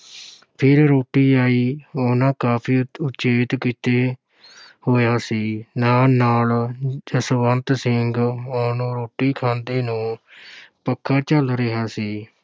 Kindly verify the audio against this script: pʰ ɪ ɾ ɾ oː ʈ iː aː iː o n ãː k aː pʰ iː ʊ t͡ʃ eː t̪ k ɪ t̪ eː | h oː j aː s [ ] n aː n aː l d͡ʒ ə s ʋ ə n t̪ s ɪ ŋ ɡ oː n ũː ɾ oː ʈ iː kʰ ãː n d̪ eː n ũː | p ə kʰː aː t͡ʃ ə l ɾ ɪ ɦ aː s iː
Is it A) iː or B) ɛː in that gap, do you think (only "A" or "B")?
A